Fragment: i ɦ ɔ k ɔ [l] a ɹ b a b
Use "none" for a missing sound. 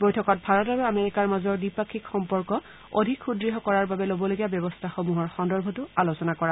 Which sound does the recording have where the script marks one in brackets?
ɹ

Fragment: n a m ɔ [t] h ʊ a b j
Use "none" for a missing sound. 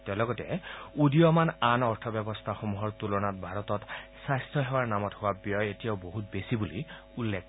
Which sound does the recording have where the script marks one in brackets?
t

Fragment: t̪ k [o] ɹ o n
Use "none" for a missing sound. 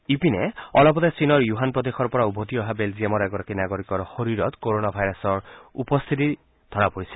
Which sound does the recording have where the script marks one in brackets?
o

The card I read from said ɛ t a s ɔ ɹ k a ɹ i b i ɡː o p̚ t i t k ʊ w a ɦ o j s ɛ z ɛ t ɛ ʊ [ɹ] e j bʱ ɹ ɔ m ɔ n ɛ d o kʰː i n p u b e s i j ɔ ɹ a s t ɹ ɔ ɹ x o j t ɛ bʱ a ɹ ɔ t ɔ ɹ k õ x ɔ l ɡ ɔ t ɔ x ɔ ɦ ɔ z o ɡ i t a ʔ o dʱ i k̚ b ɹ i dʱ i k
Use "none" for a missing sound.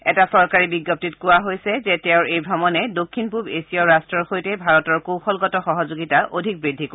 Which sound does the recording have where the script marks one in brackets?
ɹ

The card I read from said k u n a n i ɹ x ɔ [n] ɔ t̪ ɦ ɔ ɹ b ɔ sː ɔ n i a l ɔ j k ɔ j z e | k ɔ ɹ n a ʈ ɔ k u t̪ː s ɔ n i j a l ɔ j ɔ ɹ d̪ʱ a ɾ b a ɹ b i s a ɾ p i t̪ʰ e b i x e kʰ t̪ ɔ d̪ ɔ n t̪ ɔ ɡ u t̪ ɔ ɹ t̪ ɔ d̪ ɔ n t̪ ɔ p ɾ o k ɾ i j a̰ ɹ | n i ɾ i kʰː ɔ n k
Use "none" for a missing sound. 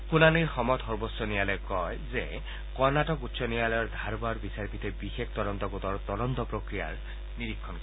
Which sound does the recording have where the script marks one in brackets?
m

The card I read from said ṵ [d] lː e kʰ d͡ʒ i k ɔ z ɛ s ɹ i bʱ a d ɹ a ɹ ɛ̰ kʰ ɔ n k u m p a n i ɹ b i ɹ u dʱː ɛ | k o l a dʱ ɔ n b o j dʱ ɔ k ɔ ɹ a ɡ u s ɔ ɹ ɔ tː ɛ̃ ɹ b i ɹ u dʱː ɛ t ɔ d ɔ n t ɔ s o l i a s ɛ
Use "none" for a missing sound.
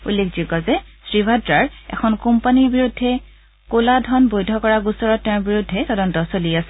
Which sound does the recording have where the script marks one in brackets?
none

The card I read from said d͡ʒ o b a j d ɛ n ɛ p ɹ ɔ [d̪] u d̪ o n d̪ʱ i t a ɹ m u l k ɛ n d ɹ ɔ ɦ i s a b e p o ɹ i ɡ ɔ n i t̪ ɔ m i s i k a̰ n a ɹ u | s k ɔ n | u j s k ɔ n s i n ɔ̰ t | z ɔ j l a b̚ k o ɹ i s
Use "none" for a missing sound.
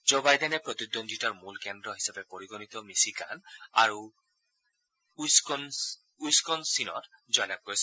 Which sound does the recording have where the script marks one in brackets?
t̪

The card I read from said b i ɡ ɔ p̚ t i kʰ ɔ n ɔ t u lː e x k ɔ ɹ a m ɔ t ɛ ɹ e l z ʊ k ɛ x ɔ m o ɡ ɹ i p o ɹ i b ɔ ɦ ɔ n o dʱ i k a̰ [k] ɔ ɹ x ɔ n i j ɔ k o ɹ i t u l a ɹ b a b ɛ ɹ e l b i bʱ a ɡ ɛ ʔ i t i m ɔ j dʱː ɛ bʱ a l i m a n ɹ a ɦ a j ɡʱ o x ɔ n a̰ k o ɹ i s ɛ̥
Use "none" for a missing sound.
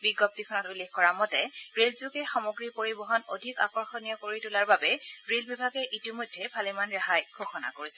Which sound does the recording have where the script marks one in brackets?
k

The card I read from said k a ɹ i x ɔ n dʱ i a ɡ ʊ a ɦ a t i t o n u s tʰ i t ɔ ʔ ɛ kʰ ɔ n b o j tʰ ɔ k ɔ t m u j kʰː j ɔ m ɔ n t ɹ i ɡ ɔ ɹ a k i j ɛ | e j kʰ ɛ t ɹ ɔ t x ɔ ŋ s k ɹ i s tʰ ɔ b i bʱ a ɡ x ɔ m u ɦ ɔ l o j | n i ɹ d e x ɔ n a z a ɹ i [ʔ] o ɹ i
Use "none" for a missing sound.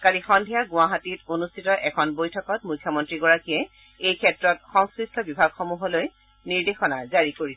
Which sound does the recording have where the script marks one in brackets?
k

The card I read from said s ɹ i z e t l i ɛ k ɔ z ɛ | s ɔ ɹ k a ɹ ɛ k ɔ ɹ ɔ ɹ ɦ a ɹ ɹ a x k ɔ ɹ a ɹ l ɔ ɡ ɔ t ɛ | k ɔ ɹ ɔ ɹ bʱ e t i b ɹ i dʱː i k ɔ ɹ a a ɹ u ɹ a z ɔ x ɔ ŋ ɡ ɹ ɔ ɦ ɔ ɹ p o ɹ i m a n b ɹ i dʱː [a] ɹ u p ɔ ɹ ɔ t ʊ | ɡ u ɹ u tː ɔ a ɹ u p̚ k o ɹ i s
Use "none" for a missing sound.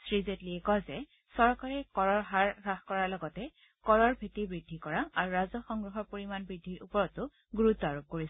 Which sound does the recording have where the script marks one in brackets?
i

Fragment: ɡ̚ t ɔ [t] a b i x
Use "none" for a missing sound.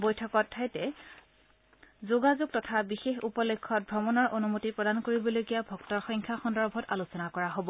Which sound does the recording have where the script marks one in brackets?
tʰ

